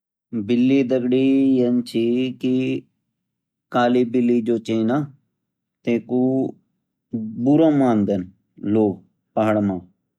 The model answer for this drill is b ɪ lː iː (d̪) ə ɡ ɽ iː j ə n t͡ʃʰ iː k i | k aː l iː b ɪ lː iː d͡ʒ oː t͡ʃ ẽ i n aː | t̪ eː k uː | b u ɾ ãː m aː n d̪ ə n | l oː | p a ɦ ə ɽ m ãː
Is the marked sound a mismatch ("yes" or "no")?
no